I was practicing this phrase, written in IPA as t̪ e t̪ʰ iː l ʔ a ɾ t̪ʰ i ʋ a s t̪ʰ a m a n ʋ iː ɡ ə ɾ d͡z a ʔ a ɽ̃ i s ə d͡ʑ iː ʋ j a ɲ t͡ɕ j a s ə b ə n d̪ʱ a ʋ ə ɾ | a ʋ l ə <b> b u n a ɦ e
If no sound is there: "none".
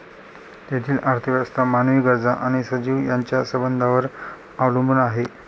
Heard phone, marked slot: m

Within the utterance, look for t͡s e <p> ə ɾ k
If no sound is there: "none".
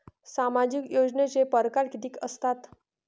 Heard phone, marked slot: p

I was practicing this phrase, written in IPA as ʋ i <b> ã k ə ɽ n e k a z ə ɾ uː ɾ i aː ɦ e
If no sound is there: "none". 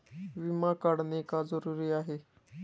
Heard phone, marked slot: m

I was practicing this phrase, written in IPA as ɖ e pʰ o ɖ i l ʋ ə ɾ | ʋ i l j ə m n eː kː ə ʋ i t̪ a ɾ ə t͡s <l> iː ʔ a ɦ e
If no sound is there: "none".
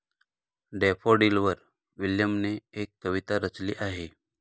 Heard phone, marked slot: l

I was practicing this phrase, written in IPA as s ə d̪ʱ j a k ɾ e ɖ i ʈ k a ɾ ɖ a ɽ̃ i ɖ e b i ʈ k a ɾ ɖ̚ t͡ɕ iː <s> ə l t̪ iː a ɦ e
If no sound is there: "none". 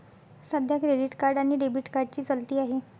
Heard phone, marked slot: t͡s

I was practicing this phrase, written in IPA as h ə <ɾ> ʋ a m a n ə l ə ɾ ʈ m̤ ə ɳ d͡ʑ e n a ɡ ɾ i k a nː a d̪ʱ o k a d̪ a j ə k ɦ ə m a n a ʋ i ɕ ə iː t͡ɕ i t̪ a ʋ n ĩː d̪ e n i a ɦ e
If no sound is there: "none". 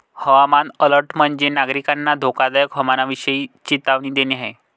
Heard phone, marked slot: none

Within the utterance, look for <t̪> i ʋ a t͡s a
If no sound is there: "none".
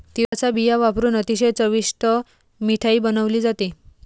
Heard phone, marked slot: t̪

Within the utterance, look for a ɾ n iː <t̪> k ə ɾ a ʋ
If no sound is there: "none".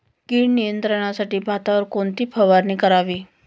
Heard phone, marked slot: none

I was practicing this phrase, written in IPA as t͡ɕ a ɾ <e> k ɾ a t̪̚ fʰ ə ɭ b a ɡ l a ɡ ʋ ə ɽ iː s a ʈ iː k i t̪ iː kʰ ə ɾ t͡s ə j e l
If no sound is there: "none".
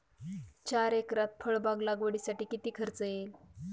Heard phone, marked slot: e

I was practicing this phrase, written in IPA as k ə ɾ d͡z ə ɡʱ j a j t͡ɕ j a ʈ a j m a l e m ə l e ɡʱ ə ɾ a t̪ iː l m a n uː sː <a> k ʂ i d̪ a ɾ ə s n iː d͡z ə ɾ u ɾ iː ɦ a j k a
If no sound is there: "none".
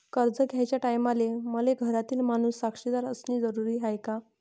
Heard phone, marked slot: a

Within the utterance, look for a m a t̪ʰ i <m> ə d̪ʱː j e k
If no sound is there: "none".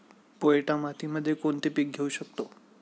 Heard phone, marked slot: m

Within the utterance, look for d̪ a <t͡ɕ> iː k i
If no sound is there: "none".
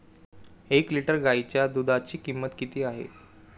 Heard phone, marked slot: t͡ɕ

